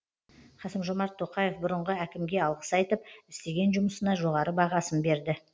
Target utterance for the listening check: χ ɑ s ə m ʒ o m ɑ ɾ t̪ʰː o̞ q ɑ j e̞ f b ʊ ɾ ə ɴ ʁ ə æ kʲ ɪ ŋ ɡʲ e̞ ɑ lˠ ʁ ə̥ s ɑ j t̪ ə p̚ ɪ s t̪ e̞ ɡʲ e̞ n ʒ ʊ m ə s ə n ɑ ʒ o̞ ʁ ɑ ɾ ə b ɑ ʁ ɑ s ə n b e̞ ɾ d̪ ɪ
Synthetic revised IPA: χ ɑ s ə m ʒ o m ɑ ɾ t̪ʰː o̞ q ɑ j e̞ f b ʊ ɾ ə ɴ ʁ ə æ kʲ ɪ m ɡʲ e̞ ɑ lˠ ʁ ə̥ s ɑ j t̪ ə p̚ ɪ s t̪ e̞ ɡʲ e̞ n ʒ ʊ m ə s ə n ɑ ʒ o̞ ʁ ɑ ɾ ə b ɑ ʁ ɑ s ə n b e̞ ɾ d̪ ɪ